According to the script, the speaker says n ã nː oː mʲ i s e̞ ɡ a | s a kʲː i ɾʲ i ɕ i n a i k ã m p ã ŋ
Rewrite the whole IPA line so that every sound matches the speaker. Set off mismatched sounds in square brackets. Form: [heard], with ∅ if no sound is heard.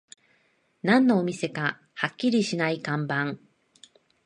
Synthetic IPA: n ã nː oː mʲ i s e̞ [k] a | [h] a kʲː i ɾʲ i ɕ i n a i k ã m [b] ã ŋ